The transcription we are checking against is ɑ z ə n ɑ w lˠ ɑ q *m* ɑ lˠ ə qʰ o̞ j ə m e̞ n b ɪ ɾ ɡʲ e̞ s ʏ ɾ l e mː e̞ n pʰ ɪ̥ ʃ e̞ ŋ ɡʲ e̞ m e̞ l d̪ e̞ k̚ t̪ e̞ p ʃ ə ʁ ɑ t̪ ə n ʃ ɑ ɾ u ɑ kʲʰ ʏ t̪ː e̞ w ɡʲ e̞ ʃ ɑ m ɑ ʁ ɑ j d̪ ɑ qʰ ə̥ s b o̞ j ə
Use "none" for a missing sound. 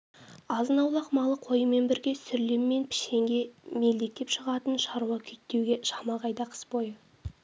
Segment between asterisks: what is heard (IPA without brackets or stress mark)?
m